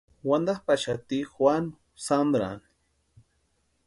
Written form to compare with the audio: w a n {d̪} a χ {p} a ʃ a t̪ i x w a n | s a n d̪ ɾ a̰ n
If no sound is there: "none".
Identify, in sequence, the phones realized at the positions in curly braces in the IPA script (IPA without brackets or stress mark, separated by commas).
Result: d̪, p